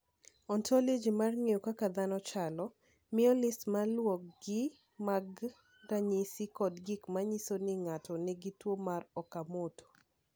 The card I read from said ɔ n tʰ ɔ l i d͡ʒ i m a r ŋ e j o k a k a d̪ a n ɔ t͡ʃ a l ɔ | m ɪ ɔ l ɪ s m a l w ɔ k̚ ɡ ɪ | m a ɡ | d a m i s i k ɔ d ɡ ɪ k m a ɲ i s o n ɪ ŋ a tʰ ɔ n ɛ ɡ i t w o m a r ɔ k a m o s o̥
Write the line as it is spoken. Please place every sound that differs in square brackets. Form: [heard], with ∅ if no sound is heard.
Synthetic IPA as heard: ɔ n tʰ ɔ l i d͡ʒ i m a r ŋ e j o k a k a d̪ a n ɔ t͡ʃ a l ɔ | m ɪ ɔ l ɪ s m a l w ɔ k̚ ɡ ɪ | m a ɡ | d a [ɲ] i s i k ɔ d ɡ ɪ k m a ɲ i s o n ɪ ŋ a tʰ ɔ n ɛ ɡ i t w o m a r ɔ k a m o [t] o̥